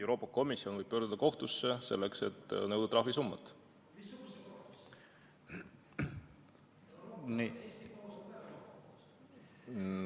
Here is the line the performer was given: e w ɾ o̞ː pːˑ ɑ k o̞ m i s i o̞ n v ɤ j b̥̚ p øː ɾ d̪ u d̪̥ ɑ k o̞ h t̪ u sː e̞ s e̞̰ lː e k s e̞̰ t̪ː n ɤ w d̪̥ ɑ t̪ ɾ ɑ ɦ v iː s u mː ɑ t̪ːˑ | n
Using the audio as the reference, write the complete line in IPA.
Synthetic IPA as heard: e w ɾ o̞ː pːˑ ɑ k o̞ m i s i o̞ n v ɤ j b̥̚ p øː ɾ d̪ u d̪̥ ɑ k o̞ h t̪ u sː e̞ s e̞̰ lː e k s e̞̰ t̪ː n ɤ w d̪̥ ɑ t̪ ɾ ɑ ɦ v i s u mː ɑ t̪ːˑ | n

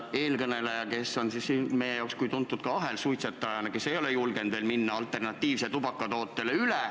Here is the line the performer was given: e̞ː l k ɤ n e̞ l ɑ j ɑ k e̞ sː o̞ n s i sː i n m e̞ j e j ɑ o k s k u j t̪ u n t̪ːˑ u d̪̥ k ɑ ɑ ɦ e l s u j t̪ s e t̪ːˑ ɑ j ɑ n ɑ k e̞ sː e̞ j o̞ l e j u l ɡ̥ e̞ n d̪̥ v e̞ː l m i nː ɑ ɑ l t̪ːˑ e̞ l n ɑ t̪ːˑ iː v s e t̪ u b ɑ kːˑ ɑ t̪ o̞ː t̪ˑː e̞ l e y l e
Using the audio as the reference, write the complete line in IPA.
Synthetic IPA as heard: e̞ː l k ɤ n e̞ l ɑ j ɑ k e̞ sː o̞ n s i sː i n m e̞ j e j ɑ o k s k u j t̪ u n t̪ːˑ u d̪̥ k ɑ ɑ ɦ e l s u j t̪ s e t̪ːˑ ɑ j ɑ n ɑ k e̞ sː e̞ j o̞ l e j u l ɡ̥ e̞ n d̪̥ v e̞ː l m i nː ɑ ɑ l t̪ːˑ e̞ r n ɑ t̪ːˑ iː v s e t̪ u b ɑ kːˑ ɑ t̪ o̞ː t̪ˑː e̞ l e y l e

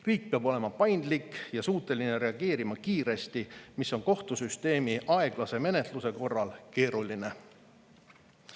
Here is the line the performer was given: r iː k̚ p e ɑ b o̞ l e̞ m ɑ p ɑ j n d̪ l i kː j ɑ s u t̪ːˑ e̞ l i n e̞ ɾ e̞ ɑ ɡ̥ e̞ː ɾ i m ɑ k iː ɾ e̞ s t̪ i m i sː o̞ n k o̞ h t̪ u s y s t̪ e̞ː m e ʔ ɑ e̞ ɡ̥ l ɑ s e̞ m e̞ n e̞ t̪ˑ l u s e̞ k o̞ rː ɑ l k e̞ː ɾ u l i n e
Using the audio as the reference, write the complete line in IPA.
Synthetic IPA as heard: r iː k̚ p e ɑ b o̞ l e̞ m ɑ p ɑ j n d̪ l i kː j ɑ s uː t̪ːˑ e̞ l i n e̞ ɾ e̞ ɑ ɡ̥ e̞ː ɾ i m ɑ k iː ɾ e̞ s t̪ i m i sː o̞ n k o̞ h t̪ u s y s t̪ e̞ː m i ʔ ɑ e̞ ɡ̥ l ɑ s e̞ m e̞ n e̞ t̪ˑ l u s e̞ k o̞ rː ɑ l k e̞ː ɾ u l i n e

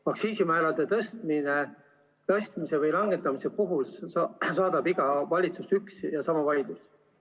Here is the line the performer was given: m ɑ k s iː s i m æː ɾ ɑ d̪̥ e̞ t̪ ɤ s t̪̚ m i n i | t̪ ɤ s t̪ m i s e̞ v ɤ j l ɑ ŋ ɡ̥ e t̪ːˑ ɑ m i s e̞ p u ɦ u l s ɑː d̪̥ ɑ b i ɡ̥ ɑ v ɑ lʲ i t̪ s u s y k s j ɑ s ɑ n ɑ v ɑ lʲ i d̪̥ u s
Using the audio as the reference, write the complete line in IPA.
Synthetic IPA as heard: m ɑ k s iː s i m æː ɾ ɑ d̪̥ e̞ t̪ ɤ s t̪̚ m i n e | t̪ ɤ s t̪ m i s e̞ v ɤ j l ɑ ŋ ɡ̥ e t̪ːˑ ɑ m i s e̞ p u ɦ u l s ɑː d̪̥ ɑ b i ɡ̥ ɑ v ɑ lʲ i t̪ s u s y k s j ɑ s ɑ m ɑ v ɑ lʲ i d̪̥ u s

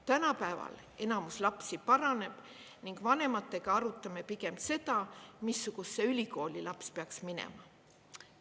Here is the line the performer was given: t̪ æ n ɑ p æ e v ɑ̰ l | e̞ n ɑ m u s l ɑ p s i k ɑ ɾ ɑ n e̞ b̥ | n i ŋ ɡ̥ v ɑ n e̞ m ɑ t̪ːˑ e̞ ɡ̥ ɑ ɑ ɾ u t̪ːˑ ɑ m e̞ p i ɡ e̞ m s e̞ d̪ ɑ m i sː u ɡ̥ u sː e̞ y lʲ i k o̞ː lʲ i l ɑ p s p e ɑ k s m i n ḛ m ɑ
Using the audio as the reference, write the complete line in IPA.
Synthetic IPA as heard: t̪ æ n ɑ p æ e v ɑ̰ l | e̞ n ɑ m u s l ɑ p s i p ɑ ɾ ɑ n e̞ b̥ | n i ŋ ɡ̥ v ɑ n e̞ m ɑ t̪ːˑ e̞ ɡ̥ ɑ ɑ ɾ u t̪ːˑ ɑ m e̞ p i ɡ e̞ m s e̞ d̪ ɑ m i sː u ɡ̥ u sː e̞ y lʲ i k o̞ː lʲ i l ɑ p s p e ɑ k s m i n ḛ m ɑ

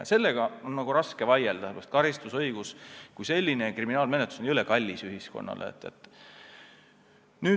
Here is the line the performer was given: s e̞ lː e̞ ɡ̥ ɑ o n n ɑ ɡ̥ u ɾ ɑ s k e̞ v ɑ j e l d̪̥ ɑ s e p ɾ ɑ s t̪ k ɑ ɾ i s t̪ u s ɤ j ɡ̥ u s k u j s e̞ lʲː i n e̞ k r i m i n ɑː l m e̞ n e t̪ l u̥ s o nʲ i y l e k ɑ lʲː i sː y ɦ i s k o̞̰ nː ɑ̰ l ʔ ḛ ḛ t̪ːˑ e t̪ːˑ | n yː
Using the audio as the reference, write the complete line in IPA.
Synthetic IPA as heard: s e̞ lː e̞ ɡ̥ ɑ o n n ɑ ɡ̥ u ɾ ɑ s k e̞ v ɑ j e l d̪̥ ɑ s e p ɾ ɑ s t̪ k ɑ ɾ i s t̪ u s ɤ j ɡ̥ u s k u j s e̞ lʲː i n e̞ k r i m i n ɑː l m e̞ n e t̪ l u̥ s o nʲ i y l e k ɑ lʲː i s y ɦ i s k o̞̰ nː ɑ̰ l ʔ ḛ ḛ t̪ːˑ e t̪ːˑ | n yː

